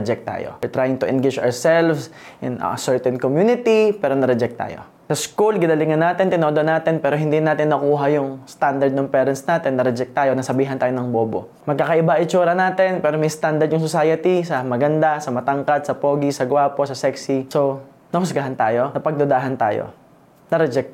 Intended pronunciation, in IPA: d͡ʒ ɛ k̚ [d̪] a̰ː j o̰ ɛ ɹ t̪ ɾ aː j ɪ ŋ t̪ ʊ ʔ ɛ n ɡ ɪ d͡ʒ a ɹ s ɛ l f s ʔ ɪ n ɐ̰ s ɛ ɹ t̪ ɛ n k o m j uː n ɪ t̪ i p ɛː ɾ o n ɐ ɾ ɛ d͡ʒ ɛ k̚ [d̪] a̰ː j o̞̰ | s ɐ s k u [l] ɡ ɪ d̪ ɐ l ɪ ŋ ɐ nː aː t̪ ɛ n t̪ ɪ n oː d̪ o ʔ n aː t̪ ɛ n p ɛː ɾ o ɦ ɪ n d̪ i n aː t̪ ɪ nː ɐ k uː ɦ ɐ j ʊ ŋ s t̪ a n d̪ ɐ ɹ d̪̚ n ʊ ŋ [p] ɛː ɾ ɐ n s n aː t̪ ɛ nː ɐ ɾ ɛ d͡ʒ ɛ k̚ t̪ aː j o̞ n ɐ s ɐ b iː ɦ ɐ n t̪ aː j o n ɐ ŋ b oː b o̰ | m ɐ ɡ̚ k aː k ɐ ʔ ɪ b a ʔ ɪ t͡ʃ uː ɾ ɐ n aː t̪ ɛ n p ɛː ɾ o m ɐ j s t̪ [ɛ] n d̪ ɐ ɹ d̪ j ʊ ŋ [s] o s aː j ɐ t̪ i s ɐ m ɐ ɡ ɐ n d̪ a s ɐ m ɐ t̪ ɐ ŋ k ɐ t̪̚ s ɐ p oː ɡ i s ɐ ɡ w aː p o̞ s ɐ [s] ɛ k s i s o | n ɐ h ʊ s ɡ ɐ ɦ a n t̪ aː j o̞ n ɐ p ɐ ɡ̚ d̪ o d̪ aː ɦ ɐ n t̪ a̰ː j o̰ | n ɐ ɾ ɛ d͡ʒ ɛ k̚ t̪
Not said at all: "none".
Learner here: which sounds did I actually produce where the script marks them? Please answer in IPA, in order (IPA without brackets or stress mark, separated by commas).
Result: t̪, t̪, l, p, a, s, s